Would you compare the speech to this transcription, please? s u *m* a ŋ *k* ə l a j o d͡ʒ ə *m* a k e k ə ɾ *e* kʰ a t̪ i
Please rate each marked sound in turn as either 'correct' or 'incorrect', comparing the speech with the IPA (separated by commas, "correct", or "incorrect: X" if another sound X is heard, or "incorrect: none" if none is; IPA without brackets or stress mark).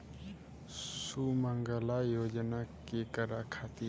correct, incorrect: ɡ, incorrect: n, incorrect: a